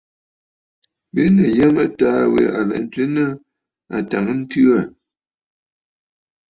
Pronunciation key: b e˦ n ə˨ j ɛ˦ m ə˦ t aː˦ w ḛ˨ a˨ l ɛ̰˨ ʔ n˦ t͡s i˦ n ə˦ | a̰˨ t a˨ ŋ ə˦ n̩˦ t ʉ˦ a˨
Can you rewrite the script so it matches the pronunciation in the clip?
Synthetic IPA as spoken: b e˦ n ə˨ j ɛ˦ m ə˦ t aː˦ w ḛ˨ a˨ l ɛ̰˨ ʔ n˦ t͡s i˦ n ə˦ | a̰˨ t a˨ ŋ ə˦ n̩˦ t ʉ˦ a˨